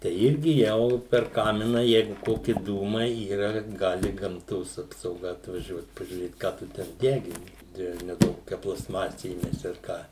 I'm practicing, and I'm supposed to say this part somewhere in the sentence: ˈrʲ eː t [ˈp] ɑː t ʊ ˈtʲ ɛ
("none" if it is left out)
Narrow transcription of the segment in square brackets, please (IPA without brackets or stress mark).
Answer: k